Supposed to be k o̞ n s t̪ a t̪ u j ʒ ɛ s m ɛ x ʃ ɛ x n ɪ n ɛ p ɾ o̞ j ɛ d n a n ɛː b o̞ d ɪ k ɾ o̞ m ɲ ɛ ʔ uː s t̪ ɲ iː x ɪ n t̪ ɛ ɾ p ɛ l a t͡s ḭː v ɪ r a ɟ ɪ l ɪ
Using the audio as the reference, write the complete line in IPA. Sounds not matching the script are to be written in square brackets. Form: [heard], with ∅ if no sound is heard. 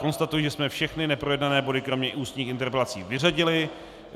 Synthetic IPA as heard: k o̞ n s t̪ a t̪ u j ʒ ɛ s m ɛ [f] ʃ ɛ x n ɪ n ɛ p ɾ o̞ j ɛ d n a n ɛː b o̞ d ɪ k ɾ o̞ m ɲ ɛ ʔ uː s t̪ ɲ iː x ɪ n t̪ ɛ ɾ p ɛ l a t͡s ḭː v ɪ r a ɟ ɪ l ɪ